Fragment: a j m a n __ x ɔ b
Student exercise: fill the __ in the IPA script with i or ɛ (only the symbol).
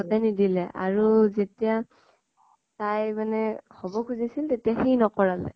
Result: ɛ